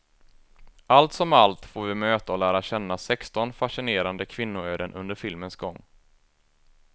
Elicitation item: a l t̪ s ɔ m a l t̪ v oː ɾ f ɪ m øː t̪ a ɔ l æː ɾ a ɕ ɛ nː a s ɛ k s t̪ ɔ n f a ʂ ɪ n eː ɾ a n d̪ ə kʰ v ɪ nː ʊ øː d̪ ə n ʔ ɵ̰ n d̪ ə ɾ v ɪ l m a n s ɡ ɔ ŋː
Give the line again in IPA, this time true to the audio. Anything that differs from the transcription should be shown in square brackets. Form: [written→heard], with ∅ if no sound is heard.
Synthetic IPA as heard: a l t̪ s ɔ m a l t̪ [v→f] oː ɾ [f→v] ɪ m øː t̪ a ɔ l æː ɾ a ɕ ɛ nː a s ɛ k s t̪ ɔ n f a ʂ ɪ n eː ɾ a n d̪ ə kʰ v ɪ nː ʊ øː d̪ ə n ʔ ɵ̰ n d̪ ə ɾ [v→f] ɪ l m [a→ə] n s ɡ ɔ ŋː

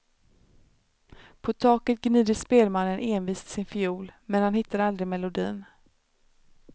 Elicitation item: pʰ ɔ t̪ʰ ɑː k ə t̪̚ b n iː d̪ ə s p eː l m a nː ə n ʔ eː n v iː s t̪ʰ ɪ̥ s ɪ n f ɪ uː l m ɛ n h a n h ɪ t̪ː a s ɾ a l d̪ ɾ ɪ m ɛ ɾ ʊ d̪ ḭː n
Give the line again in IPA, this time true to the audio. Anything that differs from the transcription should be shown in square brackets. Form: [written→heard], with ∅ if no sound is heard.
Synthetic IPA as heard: pʰ ɔ t̪ʰ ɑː k ə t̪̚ [b→ɡ] n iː d̪ ə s p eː l m a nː ə n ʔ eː n v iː s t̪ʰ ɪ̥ s ɪ n f ɪ uː l m ɛ n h a n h ɪ t̪ː a [s→∅] ɾ a l d̪ ɾ ɪ m ɛ [ɾ→l] ʊ d̪ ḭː n

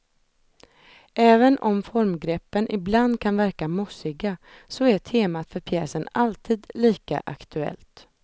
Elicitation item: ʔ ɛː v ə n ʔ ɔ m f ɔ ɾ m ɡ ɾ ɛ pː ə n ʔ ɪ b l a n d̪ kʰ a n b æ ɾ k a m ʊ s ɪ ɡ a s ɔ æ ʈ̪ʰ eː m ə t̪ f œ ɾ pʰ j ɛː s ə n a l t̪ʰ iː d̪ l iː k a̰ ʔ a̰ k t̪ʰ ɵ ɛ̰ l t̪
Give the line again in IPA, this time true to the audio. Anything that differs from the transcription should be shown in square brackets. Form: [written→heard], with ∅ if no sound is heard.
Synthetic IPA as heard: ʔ ɛː v ə n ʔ ɔ m f ɔ ɾ m ɡ ɾ ɛ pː ə n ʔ ɪ b l a n d̪ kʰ a n [b→v] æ ɾ k a m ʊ s ɪ ɡ a s ɔ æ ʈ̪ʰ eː m [ə→a] t̪ f œ ɾ pʰ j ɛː s ə n a l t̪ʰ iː d̪ l iː k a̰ ʔ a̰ k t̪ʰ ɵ ɛ̰ l t̪

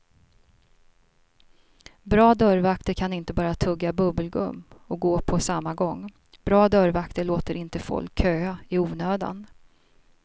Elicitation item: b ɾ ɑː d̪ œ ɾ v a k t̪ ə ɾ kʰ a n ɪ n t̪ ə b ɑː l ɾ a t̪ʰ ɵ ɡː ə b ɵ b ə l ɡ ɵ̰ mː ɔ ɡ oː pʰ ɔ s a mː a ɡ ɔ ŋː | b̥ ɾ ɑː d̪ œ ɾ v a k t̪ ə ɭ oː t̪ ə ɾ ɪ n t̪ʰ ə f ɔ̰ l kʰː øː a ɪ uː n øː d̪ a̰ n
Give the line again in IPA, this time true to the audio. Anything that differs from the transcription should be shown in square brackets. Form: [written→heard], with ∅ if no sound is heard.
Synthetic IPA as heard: b ɾ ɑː d̪ œ ɾ v a k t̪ ə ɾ kʰ a n ɪ n t̪ ə b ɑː [l→∅] ɾ a t̪ʰ ɵ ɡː [ə→a] b ɵ b ə l ɡ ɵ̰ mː ɔ ɡ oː pʰ ɔ s a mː a ɡ ɔ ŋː | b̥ ɾ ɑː d̪ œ ɾ v a k t̪ ə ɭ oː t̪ ə ɾ ɪ n [t̪ʰ→t̪] ə f ɔ̰ l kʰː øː a ɪ uː n øː d̪ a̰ n

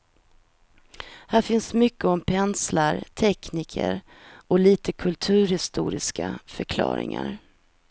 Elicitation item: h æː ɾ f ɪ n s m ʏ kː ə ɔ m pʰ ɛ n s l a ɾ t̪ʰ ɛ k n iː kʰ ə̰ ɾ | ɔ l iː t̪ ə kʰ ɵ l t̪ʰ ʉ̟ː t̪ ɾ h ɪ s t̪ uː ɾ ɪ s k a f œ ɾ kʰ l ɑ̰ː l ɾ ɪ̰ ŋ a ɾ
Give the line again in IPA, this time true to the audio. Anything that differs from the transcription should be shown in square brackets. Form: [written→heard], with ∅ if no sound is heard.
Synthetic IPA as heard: h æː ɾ f ɪ n s m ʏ kː ə ɔ m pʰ ɛ n s l a ɾ t̪ʰ ɛ k n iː kʰ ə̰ ɾ | ɔ l iː t̪ ə kʰ ɵ l t̪ʰ ʉ̟ː [t̪→∅] ɾ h ɪ s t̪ uː ɾ ɪ s k a f œ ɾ kʰ l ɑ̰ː [l→∅] ɾ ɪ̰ ŋ a ɾ

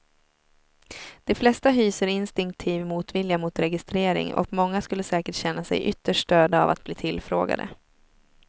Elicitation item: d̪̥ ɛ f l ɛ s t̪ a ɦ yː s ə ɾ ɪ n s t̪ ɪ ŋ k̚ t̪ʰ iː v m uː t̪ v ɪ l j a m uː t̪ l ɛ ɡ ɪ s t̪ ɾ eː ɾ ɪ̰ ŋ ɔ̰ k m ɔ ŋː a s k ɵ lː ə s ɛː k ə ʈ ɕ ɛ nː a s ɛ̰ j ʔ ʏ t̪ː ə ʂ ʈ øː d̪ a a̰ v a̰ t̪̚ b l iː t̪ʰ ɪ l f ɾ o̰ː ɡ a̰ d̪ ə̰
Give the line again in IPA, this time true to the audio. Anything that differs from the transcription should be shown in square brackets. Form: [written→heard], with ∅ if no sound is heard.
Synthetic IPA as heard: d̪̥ ɛ f l ɛ s t̪ a ɦ yː s ə ɾ ɪ n s t̪ ɪ ŋ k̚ t̪ʰ iː v m uː t̪ v ɪ l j a m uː t̪ [l→ɾ] ɛ ɡ ɪ s t̪ ɾ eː ɾ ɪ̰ ŋ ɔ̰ k m ɔ ŋː a s k ɵ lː ə s ɛː k ə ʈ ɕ ɛ nː a s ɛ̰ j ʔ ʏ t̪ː ə ʂ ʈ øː d̪ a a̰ v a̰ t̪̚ b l iː t̪ʰ ɪ l f ɾ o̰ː ɡ a̰ d̪ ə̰

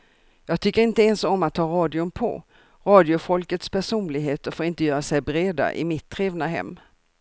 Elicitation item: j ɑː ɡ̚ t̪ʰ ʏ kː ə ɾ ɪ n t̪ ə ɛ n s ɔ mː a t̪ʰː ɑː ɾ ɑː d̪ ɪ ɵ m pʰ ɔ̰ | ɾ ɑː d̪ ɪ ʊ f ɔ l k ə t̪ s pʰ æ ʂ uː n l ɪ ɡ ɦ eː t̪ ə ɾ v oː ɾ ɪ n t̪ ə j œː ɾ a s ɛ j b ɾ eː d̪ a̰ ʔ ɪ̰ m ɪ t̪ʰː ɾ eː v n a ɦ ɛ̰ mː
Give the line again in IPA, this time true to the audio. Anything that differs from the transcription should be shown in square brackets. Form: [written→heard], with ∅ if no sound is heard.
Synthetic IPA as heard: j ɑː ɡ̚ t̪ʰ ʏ kː ə ɾ ɪ n t̪ ə ɛ n s ɔ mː a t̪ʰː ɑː ɾ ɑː d̪ ɪ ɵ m pʰ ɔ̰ | ɾ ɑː d̪ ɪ ʊ f ɔ l k ə t̪ s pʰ æ ʂ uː n l ɪ ɡ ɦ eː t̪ ə ɾ [v→f] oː ɾ ɪ n t̪ ə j œː ɾ a s ɛ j b ɾ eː d̪ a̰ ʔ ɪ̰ m ɪ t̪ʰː ɾ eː v n a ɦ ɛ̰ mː

